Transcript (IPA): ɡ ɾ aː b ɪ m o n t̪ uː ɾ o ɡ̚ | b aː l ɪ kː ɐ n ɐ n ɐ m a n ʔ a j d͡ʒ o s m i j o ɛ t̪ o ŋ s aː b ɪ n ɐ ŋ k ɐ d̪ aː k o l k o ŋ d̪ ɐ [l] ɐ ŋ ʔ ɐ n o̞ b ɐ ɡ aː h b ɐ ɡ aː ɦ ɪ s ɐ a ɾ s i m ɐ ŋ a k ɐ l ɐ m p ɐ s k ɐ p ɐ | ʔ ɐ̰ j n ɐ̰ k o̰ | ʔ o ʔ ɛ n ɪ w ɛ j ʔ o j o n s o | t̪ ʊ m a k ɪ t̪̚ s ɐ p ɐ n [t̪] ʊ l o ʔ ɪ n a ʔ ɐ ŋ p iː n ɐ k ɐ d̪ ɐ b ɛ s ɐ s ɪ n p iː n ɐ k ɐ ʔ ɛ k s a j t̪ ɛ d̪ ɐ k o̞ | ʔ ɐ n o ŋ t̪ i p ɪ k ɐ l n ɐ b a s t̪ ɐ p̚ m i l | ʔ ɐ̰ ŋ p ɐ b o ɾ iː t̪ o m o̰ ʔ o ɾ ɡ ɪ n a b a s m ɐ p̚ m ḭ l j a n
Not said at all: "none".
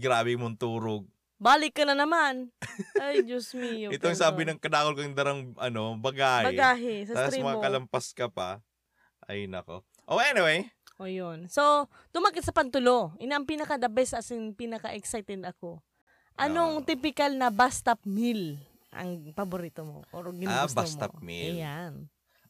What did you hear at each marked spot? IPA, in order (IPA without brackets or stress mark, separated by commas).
ɾ, t̪